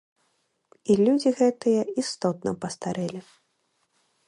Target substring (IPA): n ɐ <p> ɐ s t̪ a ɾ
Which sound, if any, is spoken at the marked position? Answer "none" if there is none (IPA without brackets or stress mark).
p